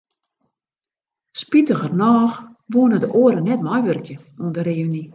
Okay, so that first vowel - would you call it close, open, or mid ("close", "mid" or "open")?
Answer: close